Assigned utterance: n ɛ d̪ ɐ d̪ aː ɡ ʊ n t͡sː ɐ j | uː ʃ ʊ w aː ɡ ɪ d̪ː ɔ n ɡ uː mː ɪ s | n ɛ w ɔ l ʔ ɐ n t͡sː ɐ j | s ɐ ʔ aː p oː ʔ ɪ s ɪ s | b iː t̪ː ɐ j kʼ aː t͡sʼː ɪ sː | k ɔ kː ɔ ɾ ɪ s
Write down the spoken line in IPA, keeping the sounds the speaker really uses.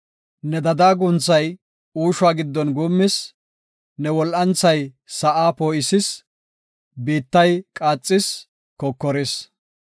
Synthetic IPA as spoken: n ɛ d̪ ɐ d̪ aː ɡ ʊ n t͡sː ɐ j | uː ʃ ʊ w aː ɡ ɪ d̪ː ɔ n ɡ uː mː ɪ s | n ɛ w ɔ l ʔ ɐ n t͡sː ɐ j | s ɐ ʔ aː p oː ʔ ɪ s ɪ s | b iː t̪ː ɐ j kʼ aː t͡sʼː ɪ s | k ɔ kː ɔ ɾ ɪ s